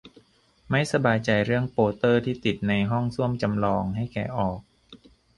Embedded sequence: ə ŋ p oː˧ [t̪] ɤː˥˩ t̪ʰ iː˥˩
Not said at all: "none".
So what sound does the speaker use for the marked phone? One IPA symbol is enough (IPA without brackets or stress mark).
t̪